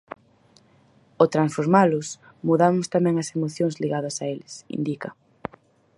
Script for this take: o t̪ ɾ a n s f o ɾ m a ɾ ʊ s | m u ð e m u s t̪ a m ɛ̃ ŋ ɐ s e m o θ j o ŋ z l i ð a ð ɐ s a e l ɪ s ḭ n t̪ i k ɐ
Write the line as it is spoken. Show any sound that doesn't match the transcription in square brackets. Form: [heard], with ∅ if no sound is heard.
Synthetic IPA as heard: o t̪ ɾ a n s f o ɾ m a [l] ʊ s | m u ð [a] m [ʊ] s t̪ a m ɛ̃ ŋ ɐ s e m o θ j o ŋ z l i [ɣ] a ð ɐ s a e l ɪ s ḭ n [d̪] i k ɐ